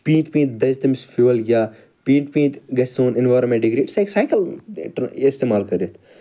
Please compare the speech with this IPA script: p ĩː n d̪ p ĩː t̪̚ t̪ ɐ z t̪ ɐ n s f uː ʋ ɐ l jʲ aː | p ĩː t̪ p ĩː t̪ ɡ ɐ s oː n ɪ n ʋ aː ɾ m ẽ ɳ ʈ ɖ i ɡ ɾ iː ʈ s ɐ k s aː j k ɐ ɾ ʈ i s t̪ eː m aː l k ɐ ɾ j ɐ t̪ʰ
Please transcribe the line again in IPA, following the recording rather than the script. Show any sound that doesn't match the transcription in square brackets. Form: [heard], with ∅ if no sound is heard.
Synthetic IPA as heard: p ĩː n [t̪] p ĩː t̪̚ [d̪] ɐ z t̪ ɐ [m] s f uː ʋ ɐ l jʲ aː | p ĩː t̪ p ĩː t̪ ɡ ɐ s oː n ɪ n ʋ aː ɾ m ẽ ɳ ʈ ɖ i ɡ ɾ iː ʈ s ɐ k s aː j k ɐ [l] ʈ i s t̪ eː m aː l k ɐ ɾ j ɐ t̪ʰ